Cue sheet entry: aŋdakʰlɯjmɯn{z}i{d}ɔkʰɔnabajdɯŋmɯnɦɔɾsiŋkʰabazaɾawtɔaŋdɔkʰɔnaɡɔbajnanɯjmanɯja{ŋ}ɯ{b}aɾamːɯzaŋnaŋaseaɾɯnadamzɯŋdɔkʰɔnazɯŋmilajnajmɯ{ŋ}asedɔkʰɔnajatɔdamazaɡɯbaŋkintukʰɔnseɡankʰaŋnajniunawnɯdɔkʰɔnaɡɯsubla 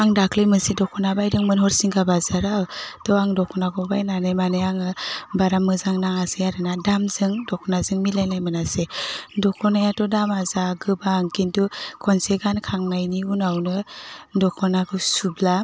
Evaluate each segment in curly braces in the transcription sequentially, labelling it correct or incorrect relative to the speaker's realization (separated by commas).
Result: incorrect, correct, correct, correct, incorrect